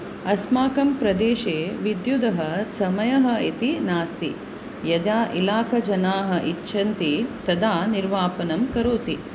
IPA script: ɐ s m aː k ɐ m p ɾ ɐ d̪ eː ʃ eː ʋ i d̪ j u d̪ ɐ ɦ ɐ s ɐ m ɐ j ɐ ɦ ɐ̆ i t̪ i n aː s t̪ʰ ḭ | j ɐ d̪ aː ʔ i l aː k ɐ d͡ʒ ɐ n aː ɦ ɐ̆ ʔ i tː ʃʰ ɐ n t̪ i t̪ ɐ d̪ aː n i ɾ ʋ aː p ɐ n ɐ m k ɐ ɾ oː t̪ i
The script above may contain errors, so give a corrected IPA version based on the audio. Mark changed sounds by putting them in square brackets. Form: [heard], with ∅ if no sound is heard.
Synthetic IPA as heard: ɐ s m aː k ɐ m p ɾ ɐ d̪ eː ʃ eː ʋ i d̪ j u d̪ ɐ ɦ ɐ s ɐ m ɐ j ɐ ɦ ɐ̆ i t̪ i n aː s [t̪] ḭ | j ɐ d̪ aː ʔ i l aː k ɐ d͡ʒ ɐ n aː ɦ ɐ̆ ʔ i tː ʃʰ ɐ n t̪ i t̪ ɐ d̪ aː n i ɾ ʋ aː p ɐ n ɐ m k ɐ ɾ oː t̪ i

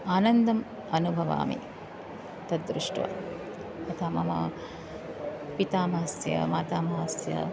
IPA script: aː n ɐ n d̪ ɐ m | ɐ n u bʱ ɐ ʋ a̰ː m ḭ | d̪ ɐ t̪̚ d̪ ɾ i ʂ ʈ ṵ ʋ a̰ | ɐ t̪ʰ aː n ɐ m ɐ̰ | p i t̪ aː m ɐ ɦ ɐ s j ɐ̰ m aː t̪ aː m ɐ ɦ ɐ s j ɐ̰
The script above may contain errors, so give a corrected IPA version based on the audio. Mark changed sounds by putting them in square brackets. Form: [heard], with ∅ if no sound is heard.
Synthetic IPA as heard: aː n ɐ n d̪ ɐ m | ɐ n u bʱ ɐ ʋ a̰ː m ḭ | [t̪] ɐ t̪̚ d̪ ɾ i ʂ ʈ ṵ ʋ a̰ | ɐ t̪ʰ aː [m] ɐ m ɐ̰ | p i t̪ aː m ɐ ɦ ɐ s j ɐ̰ m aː t̪ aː m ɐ ɦ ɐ s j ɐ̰

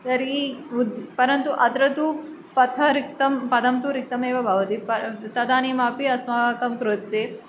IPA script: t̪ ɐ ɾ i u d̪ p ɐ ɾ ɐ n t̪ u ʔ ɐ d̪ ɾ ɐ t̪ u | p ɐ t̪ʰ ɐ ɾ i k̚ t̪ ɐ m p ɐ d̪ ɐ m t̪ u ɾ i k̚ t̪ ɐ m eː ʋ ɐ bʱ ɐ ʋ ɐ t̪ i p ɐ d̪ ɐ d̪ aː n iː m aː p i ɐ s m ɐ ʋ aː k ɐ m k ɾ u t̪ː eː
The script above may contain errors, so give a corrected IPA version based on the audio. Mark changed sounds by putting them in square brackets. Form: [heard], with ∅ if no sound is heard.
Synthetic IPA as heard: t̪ ɐ ɾ i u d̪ p ɐ ɾ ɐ n t̪ u ʔ ɐ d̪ ɾ ɐ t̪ u | p ɐ t̪ʰ ɐ ɾ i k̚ t̪ ɐ m p ɐ d̪ ɐ m t̪ u ɾ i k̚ t̪ ɐ m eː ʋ ɐ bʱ ɐ ʋ ɐ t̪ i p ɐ [t̪] ɐ d̪ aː n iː m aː p i ɐ s m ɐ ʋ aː k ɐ m k ɾ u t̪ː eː

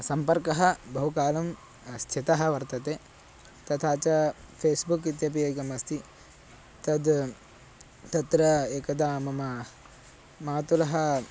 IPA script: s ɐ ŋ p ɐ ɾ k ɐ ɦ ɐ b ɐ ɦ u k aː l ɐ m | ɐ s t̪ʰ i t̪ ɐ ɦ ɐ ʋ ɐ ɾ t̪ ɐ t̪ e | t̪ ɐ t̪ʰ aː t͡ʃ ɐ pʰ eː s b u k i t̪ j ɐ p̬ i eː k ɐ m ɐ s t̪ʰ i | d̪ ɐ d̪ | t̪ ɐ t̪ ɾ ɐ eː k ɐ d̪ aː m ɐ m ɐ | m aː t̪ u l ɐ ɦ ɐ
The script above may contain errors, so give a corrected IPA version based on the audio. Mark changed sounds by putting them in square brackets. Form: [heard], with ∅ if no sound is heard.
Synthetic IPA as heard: s ɐ [m] p ɐ ɾ k ɐ ɦ ɐ b ɐ ɦ u k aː l ɐ m | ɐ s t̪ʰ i t̪ ɐ ɦ ɐ ʋ ɐ ɾ t̪ ɐ t̪ e | t̪ ɐ t̪ʰ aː t͡ʃ ɐ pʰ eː s b u k i t̪ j ɐ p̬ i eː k ɐ m ɐ s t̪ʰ i | [t̪] ɐ d̪ | t̪ ɐ t̪ ɾ ɐ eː k ɐ d̪ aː m ɐ m ɐ | m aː t̪ u l ɐ ɦ ɐ

